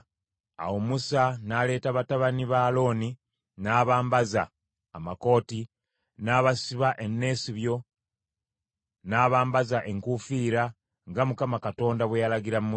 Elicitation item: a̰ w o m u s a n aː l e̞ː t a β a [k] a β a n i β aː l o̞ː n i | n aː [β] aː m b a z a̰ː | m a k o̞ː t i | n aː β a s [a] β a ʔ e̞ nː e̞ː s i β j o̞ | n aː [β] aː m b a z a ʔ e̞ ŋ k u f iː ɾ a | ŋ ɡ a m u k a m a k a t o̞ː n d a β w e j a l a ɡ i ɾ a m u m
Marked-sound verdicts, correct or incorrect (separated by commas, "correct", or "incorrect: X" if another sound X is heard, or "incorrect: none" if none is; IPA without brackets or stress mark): incorrect: t, correct, incorrect: i, correct